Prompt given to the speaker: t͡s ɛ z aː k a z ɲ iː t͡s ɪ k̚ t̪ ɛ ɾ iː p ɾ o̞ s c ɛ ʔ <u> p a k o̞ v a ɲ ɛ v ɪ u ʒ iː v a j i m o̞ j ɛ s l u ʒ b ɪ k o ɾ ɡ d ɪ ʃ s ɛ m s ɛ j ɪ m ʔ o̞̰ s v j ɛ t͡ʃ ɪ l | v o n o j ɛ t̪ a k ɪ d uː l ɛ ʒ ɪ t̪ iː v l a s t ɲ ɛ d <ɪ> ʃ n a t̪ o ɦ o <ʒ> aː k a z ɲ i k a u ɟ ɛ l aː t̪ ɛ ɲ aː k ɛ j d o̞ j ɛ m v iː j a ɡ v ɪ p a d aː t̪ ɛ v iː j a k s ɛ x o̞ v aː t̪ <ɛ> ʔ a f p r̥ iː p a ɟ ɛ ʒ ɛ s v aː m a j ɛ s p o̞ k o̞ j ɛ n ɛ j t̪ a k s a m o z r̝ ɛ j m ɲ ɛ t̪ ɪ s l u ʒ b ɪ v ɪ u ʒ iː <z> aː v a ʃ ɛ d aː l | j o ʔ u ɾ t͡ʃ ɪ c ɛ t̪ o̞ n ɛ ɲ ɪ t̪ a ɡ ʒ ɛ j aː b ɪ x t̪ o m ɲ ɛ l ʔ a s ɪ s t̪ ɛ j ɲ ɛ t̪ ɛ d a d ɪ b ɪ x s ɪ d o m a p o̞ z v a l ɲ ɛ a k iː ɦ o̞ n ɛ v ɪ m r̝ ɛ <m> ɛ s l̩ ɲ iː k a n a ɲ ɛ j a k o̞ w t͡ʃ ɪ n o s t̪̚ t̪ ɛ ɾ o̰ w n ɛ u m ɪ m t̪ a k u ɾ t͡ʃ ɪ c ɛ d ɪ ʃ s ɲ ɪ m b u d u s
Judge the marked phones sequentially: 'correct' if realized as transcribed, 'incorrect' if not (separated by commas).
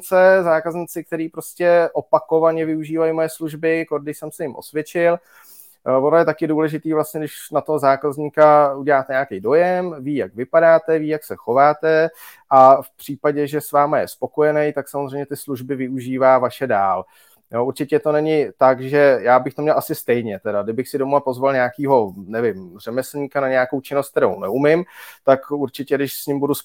incorrect, correct, incorrect, correct, incorrect, correct